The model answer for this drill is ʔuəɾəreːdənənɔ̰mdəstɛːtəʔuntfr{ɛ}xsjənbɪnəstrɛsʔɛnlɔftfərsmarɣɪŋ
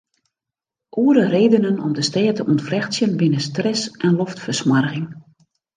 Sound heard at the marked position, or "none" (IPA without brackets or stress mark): ɛ